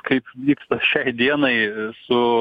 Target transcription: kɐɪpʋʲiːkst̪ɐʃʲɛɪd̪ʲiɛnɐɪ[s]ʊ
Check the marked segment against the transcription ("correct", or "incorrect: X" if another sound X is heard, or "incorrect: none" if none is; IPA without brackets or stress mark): correct